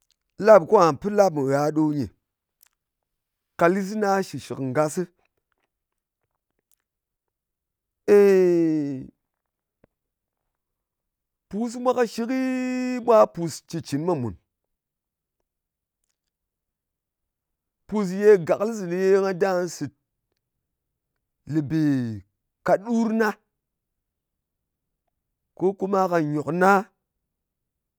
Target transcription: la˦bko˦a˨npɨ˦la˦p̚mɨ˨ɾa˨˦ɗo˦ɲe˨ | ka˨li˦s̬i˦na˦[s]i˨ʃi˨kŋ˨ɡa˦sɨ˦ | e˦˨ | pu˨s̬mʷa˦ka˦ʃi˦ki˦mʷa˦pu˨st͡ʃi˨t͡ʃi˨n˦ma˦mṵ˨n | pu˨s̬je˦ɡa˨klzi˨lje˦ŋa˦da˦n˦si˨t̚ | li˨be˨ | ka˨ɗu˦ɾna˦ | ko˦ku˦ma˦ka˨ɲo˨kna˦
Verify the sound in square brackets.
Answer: incorrect: ʃ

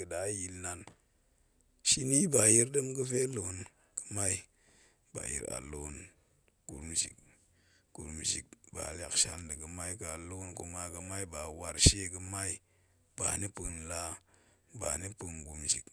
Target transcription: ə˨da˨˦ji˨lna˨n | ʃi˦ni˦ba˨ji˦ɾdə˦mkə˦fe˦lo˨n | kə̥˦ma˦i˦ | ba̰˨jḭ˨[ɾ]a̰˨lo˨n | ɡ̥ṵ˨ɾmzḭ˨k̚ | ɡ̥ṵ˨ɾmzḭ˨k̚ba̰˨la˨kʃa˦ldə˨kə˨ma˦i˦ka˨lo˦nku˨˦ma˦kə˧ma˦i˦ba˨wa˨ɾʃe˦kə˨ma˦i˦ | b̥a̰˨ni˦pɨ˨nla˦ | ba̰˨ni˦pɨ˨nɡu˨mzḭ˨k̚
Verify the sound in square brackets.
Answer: correct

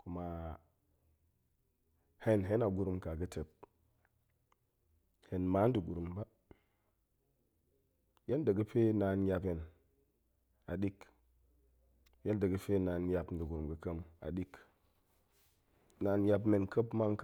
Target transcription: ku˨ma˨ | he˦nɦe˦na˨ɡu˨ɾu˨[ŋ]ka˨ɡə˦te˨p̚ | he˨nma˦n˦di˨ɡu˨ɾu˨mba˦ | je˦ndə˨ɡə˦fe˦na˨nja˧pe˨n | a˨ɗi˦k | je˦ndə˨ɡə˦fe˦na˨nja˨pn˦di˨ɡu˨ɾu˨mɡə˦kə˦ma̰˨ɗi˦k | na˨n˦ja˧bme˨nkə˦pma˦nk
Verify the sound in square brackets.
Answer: incorrect: m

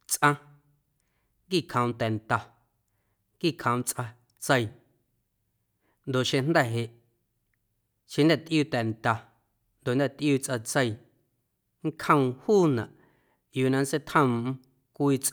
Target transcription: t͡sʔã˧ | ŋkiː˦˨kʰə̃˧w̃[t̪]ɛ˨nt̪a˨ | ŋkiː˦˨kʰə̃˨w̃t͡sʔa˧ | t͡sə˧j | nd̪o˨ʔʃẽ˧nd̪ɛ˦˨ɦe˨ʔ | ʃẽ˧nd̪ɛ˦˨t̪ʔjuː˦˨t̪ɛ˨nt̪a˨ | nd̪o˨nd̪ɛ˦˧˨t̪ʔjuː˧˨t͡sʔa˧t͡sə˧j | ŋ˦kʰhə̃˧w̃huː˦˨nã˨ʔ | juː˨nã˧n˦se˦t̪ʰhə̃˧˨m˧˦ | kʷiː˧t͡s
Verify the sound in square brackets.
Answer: correct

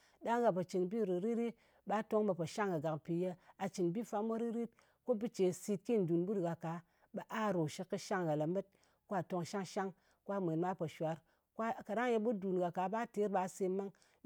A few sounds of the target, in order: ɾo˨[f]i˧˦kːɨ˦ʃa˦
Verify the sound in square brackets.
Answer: incorrect: ʃ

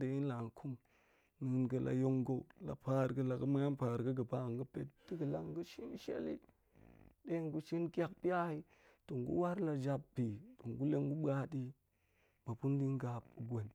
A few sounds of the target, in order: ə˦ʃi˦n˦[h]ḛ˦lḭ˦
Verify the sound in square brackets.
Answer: incorrect: ʃ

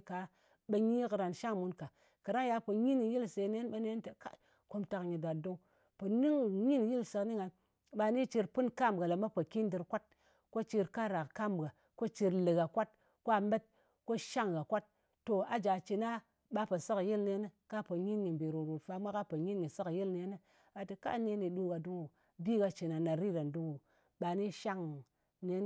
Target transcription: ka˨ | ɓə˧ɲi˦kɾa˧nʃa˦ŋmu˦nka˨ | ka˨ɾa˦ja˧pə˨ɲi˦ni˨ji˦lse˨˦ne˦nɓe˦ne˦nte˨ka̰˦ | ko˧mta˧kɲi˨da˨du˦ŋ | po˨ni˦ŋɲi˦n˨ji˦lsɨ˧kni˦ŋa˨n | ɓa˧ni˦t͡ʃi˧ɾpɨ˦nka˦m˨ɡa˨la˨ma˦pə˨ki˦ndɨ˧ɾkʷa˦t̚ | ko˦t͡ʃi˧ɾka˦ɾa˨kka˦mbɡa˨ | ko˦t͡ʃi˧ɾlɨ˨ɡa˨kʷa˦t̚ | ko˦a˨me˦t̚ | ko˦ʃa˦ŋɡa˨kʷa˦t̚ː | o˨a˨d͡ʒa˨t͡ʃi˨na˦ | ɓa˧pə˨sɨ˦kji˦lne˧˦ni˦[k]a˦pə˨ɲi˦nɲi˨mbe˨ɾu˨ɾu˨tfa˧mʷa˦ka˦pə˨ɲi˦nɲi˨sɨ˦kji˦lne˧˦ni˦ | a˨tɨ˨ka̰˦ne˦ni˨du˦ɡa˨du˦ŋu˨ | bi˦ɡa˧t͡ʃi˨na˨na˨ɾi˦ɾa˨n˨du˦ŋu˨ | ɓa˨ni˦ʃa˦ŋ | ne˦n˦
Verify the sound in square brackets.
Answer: correct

